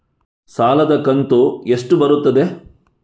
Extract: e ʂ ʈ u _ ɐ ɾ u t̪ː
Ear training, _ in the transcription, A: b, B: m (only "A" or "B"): A